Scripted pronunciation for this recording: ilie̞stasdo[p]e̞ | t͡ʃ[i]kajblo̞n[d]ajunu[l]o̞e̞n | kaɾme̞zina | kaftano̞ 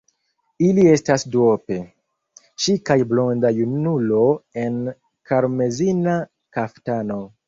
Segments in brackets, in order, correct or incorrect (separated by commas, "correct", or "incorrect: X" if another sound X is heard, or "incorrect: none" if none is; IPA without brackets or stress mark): correct, correct, correct, correct